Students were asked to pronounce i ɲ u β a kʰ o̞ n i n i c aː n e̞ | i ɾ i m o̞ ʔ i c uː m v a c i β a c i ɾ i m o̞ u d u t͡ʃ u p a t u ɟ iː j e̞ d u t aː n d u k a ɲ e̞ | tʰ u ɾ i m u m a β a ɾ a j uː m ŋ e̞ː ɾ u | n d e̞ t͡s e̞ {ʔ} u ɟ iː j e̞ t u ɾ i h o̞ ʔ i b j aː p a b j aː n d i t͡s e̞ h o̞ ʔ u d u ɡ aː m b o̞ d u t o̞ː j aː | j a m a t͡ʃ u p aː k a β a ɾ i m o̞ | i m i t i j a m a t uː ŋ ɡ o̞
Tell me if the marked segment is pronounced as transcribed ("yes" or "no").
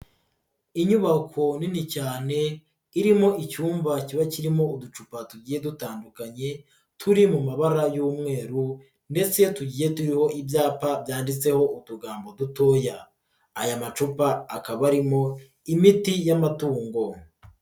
no